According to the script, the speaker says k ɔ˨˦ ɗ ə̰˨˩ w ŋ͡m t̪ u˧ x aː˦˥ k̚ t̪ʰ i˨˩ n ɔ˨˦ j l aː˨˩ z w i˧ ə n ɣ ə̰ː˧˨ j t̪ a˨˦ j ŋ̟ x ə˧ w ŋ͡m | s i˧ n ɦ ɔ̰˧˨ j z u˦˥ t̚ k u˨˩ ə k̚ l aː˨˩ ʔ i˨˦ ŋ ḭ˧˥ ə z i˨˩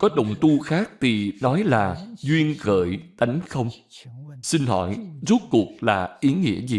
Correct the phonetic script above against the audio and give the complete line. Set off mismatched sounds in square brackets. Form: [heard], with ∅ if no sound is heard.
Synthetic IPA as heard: k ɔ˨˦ ɗ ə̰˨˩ w ŋ͡m t̪ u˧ x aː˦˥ k̚ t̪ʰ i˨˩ n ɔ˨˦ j l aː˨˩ z w i˧ ə n ɣ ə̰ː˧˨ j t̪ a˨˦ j ŋ̟ x ə˧ w ŋ͡m | s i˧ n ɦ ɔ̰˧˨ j z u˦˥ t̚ k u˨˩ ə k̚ l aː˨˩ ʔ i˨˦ ŋ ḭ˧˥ ə z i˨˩